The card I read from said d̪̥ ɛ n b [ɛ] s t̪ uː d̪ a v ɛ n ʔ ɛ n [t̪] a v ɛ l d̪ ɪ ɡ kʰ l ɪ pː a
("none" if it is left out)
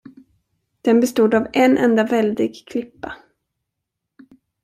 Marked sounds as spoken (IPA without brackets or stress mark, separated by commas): ɛ, d̪